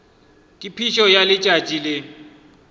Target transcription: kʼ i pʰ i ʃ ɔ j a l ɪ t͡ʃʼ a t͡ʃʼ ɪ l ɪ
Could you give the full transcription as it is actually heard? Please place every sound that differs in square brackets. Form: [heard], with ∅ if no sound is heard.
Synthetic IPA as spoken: kʼ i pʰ i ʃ ɔ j a l ɪ t͡ʃʼ a t͡ʃʼ [i] l ɪ

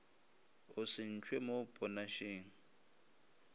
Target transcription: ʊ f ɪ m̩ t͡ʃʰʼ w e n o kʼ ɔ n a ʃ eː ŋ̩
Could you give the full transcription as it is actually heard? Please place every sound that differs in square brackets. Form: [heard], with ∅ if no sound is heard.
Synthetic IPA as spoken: ʊ [s] ɪ [n̩] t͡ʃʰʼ w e [m] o [pʼ] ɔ n a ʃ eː ŋ̩

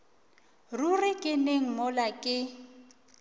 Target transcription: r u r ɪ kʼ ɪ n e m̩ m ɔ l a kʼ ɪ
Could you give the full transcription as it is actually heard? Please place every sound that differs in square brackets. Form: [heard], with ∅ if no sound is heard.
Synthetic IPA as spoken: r u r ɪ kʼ ɪ n e [ŋ̩] m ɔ l a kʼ ɪ

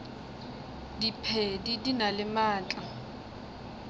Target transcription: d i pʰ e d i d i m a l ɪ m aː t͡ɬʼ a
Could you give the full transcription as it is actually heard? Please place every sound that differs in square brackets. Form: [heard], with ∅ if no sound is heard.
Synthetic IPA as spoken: d i pʰ e d i d i [n] a l ɪ m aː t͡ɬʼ a

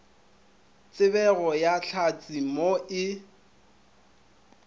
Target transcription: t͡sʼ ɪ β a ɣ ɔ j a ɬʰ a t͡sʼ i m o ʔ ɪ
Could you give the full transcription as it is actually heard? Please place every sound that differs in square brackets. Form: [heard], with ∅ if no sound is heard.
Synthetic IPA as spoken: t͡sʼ ɪ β [ɛ] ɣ ɔ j a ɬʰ a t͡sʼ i m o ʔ ɪ

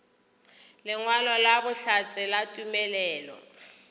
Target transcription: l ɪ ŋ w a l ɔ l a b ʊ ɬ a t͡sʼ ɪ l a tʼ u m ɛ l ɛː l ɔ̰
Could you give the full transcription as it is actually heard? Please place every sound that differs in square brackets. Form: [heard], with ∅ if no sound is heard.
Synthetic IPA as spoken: l ɪ ŋ w a l ɔ l a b ʊ ɬ a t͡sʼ ɪ l a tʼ u m ɛ l ɛː l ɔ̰

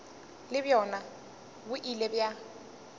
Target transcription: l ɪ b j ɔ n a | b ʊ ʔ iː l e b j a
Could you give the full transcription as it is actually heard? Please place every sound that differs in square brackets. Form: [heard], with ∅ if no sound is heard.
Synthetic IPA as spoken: l ɪ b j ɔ n a | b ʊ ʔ [i] l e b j a

